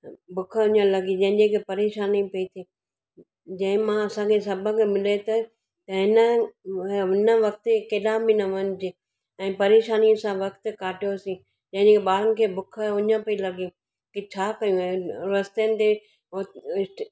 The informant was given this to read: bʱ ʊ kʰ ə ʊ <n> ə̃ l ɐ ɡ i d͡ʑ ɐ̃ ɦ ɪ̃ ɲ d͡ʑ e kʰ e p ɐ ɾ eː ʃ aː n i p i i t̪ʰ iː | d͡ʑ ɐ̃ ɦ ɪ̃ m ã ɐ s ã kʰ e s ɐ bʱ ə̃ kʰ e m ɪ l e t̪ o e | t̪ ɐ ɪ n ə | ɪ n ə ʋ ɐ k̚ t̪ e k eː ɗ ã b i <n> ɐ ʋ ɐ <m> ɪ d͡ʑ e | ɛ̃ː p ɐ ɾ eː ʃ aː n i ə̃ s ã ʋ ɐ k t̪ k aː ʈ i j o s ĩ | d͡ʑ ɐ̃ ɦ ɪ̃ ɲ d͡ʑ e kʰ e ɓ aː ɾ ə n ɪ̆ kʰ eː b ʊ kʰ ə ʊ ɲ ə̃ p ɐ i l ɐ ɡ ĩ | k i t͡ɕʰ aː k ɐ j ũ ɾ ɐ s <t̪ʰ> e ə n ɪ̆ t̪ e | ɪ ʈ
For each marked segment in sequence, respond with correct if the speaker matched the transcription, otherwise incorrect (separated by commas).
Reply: incorrect, correct, incorrect, incorrect